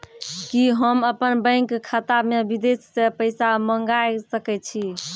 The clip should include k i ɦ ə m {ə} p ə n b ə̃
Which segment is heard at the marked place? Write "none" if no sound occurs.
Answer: ə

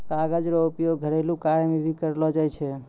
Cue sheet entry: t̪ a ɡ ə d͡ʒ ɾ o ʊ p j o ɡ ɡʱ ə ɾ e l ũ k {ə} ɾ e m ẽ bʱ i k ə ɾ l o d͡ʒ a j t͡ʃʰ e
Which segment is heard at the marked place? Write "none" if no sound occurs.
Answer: a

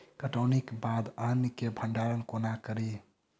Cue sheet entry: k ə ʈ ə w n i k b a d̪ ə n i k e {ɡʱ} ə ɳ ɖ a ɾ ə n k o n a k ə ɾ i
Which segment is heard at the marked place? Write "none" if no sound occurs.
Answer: bʱ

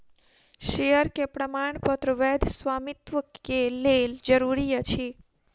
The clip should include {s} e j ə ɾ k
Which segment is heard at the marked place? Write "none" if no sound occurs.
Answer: ʃ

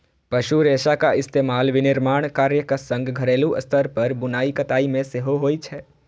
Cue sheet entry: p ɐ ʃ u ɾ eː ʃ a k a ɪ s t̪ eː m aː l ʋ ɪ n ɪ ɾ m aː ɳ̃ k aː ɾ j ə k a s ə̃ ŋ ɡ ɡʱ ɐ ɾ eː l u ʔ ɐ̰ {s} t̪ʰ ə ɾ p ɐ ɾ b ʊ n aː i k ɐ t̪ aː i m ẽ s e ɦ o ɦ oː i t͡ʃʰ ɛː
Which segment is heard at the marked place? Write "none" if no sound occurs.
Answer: s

